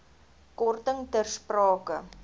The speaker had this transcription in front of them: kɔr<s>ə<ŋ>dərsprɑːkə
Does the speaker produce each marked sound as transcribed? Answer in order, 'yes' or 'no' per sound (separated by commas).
no, yes